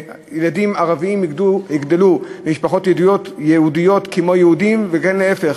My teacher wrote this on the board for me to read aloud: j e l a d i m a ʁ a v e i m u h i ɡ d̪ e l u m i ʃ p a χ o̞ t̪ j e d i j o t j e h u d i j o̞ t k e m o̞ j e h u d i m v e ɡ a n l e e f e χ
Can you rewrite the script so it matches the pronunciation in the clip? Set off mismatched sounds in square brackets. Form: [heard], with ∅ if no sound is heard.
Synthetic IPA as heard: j e l a d i m a ʁ a v [i] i m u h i ɡ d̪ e l u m i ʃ p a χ o̞ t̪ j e d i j o t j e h u d i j o̞ t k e m o̞ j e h u d i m v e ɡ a n l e e f e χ